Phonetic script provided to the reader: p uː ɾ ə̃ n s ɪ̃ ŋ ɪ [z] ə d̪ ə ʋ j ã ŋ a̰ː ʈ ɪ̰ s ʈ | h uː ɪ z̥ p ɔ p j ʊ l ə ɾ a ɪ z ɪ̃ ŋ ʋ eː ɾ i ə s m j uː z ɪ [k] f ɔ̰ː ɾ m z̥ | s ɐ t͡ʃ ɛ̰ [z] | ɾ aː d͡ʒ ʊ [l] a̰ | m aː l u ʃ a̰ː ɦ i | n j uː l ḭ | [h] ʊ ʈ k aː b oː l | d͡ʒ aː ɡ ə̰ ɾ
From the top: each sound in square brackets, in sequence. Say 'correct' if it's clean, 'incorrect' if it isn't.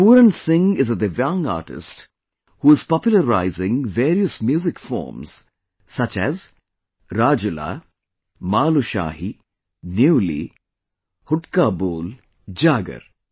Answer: correct, correct, correct, correct, correct

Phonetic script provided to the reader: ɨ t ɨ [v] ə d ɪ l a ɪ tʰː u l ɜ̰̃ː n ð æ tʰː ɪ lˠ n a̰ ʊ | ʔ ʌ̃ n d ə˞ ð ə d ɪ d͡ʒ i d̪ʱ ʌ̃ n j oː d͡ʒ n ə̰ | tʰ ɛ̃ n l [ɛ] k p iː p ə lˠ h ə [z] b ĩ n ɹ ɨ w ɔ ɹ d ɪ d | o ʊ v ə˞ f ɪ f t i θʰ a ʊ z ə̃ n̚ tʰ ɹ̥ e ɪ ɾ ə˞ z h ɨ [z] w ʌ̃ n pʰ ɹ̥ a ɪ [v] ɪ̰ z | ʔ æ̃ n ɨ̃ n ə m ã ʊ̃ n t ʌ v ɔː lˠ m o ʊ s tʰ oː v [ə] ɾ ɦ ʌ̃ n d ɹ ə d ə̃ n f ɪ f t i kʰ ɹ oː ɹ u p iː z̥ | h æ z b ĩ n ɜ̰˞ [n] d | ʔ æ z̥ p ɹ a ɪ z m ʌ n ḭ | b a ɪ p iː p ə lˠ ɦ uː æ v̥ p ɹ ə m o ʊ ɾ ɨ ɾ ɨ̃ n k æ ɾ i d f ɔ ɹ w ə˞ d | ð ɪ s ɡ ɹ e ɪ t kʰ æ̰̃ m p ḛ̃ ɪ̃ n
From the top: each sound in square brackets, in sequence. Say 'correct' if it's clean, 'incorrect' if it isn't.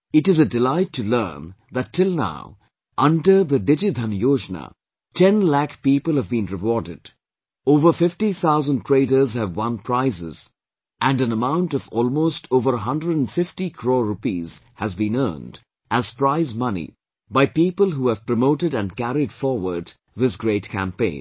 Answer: incorrect: z, incorrect: æ, incorrect: v, incorrect: v, incorrect: z, correct, correct

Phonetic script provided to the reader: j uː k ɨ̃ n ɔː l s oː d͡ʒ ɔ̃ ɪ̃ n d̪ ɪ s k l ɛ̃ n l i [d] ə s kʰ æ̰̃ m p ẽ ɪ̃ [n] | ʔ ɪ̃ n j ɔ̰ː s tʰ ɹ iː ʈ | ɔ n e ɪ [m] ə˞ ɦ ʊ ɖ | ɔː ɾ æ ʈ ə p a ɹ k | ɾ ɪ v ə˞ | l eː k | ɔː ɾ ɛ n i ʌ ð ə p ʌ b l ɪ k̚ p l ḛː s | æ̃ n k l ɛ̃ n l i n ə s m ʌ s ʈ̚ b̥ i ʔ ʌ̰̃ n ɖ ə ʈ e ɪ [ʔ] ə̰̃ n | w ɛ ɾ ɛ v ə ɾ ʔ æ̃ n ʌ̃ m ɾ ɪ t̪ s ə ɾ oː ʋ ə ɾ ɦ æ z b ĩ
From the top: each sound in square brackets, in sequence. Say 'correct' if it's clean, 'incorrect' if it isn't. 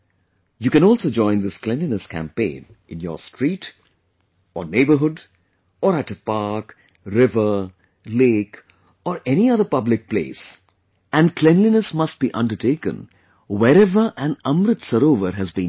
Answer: incorrect: n, correct, incorrect: b, incorrect: k

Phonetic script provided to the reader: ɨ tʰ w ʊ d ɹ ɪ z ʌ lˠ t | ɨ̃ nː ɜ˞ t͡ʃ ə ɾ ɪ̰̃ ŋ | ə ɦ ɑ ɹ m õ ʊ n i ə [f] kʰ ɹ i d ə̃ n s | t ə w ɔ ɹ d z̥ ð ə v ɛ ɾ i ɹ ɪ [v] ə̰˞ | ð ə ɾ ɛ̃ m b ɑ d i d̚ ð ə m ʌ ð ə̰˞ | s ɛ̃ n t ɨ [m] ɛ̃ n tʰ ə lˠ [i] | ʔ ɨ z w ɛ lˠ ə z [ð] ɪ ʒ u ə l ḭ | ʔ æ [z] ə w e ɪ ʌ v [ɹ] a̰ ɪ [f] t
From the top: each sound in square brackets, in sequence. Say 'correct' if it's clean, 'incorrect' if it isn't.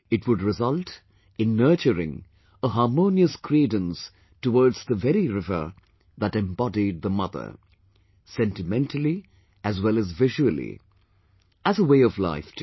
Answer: incorrect: s, correct, correct, correct, incorrect: v, correct, incorrect: l, correct

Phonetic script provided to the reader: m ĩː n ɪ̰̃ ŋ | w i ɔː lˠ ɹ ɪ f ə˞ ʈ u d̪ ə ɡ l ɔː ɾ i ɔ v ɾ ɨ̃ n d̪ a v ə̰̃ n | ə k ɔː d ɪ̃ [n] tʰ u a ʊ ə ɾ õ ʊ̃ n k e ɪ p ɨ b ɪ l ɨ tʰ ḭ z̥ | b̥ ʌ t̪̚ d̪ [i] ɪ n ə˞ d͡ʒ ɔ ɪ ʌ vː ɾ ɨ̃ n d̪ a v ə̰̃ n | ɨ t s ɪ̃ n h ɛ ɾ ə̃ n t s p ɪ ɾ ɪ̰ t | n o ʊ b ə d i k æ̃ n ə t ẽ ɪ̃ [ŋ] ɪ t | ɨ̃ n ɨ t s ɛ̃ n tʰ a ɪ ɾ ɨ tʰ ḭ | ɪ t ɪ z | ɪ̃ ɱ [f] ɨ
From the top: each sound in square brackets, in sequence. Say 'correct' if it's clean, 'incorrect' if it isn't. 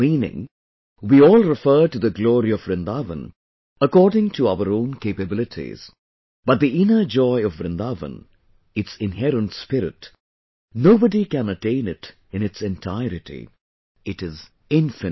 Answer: incorrect: ŋ, correct, incorrect: n, correct

